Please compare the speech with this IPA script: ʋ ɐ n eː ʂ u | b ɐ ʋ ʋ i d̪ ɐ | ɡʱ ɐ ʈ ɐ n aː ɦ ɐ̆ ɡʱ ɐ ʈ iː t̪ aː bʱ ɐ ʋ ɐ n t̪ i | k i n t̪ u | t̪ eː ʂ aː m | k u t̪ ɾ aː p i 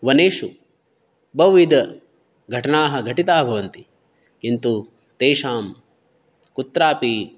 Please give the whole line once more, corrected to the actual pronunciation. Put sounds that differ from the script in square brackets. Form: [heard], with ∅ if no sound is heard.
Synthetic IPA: ʋ ɐ n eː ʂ u | b ɐ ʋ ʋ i d̪ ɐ | ɡʱ ɐ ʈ ɐ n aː ɦ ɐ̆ ɡʱ ɐ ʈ [i] t̪ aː bʱ ɐ ʋ ɐ n t̪ i | k i n t̪ u | t̪ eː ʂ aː m | k u t̪ ɾ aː p i

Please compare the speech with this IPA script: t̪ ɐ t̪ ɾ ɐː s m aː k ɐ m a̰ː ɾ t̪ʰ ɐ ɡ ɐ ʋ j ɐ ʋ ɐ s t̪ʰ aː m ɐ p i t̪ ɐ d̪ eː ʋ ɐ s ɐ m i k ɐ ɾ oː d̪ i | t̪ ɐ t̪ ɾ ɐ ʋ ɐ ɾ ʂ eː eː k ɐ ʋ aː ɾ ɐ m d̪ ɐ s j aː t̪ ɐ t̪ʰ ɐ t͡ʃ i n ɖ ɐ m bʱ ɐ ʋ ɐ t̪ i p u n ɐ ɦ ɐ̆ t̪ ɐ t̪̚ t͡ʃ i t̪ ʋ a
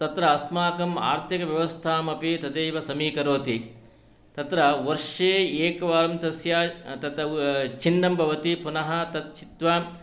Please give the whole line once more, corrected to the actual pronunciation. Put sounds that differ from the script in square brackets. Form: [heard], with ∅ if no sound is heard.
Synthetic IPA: t̪ ɐ t̪ ɾ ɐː s m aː k ɐ m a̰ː ɾ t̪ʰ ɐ [k] ɐ ʋ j ɐ ʋ ɐ s t̪ʰ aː m ɐ p i t̪ ɐ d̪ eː ʋ ɐ s ɐ m [iː] k ɐ ɾ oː [t̪] i | t̪ ɐ t̪ ɾ ɐ ʋ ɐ ɾ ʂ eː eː k ɐ ʋ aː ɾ ɐ m [t̪] ɐ s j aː t̪ ɐ [t̪] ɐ t͡ʃ i n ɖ ɐ m bʱ ɐ ʋ ɐ t̪ i p u n ɐ ɦ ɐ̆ t̪ ɐ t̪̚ t͡ʃ i t̪ ʋ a

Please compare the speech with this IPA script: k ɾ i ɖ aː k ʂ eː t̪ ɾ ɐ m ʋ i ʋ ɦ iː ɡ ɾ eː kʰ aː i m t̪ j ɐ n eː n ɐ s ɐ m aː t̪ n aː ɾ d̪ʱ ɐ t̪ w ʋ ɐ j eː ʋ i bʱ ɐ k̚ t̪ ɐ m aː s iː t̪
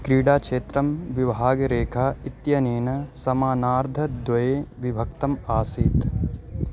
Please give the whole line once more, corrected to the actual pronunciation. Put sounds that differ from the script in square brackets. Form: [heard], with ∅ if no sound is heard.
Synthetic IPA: k ɾ [iː] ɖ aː k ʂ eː t̪ ɾ ɐ m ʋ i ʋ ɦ [aː] ɡ ɾ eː kʰ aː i [∅] t̪ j ɐ n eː n ɐ s ɐ m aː [∅] n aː ɾ d̪ʱ ɐ [d̪] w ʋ ɐ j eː ʋ i bʱ ɐ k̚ t̪ ɐ m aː s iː t̪

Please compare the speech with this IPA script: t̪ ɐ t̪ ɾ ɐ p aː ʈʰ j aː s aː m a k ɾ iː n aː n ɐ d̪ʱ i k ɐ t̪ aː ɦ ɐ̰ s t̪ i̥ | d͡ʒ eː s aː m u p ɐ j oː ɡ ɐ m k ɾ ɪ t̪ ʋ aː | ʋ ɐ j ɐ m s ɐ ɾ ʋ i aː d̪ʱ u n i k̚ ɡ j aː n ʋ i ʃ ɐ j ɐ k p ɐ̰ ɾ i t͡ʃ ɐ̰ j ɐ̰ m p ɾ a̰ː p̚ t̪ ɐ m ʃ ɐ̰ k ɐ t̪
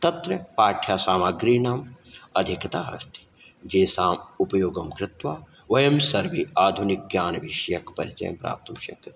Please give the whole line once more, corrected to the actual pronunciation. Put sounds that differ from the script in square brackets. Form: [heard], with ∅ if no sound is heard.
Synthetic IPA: t̪ ɐ t̪ ɾ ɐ p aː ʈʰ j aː s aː m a [ɡ] ɾ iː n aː [m] ɐ d̪ʱ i k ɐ t̪ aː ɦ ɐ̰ s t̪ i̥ | d͡ʒ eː s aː m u p ɐ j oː ɡ ɐ m k ɾ ɪ t̪ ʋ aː | ʋ ɐ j ɐ m s ɐ ɾ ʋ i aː d̪ʱ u n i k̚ ɡ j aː n ʋ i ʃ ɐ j ɐ k p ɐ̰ ɾ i t͡ʃ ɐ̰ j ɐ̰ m p ɾ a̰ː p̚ t̪ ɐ m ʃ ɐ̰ k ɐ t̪

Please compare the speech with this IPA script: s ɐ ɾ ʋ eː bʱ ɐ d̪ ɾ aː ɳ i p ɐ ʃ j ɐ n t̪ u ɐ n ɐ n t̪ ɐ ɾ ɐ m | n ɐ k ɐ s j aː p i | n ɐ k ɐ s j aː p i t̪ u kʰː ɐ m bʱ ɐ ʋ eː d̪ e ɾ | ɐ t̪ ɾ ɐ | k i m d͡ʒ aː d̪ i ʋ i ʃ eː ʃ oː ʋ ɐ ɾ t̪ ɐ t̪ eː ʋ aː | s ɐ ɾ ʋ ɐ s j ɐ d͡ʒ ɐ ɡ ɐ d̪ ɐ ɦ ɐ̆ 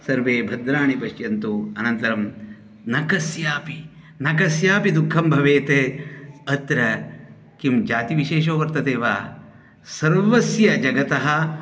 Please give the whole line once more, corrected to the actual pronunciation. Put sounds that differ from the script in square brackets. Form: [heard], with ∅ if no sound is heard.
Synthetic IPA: s ɐ ɾ ʋ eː bʱ ɐ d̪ ɾ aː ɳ i p ɐ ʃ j ɐ n t̪ u ɐ n ɐ n t̪ ɐ ɾ ɐ m | n ɐ k ɐ s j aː p i | n ɐ k ɐ s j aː p i [d̪] u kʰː ɐ m bʱ ɐ ʋ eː [t̪] e [∅] | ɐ t̪ ɾ ɐ | k i m d͡ʒ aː [t̪] i ʋ i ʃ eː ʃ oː ʋ ɐ ɾ t̪ ɐ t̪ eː ʋ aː | s ɐ ɾ ʋ ɐ s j ɐ d͡ʒ ɐ ɡ ɐ [t̪] ɐ ɦ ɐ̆

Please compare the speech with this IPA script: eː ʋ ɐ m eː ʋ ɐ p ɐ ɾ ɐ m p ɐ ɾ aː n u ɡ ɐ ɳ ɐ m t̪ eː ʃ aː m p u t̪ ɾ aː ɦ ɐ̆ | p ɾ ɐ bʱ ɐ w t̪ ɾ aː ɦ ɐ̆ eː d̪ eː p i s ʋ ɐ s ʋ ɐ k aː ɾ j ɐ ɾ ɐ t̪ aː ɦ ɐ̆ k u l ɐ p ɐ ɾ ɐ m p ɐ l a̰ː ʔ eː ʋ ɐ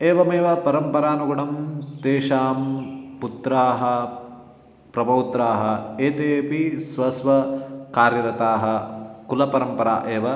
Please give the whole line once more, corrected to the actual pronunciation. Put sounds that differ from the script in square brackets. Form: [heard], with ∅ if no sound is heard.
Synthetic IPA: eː ʋ ɐ m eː ʋ ɐ p ɐ ɾ ɐ m p ɐ ɾ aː n u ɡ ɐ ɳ ɐ m t̪ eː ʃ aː m p u t̪ ɾ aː ɦ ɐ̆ | p ɾ ɐ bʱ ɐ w t̪ ɾ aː ɦ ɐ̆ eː [t̪] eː p i s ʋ ɐ s ʋ ɐ k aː ɾ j ɐ ɾ ɐ t̪ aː ɦ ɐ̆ k u l ɐ p ɐ ɾ ɐ m p ɐ [ɾ] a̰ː ʔ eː ʋ ɐ

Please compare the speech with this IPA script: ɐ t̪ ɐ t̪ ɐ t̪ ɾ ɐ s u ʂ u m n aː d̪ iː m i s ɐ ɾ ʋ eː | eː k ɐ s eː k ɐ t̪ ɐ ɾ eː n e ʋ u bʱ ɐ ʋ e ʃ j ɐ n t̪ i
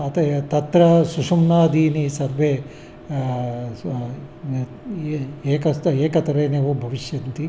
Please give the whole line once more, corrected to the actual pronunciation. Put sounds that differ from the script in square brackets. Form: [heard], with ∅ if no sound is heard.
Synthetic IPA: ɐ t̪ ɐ t̪ ɐ t̪ ɾ ɐ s u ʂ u m n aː d̪ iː [n] i s ɐ ɾ ʋ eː | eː k ɐ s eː k ɐ t̪ ɐ ɾ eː n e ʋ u bʱ ɐ ʋ [i] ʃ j ɐ n t̪ i

